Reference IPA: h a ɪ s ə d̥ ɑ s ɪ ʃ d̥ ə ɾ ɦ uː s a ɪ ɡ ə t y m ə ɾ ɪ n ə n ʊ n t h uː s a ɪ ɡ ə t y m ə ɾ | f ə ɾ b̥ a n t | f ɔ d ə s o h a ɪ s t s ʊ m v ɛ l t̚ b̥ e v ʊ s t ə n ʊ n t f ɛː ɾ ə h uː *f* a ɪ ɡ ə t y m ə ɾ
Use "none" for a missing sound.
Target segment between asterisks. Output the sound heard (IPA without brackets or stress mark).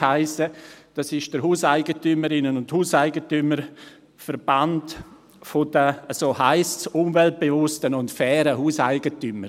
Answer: s